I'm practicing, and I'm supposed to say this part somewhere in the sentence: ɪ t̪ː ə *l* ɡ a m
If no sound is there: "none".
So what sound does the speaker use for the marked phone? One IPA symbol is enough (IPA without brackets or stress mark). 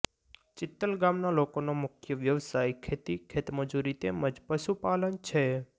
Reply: l